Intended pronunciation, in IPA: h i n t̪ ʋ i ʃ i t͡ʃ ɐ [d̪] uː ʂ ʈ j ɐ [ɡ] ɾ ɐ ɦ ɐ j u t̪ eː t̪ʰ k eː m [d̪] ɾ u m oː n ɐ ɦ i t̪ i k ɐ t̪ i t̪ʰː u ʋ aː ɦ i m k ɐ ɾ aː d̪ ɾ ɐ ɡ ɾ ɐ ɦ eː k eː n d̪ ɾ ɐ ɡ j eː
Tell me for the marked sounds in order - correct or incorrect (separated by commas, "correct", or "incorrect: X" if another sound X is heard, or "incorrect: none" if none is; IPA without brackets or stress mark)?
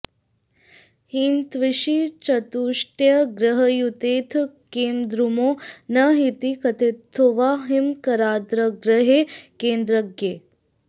incorrect: t̪, correct, correct